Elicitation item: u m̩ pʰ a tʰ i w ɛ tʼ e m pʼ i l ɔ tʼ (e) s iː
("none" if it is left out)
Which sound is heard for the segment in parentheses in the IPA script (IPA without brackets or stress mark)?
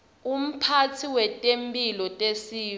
e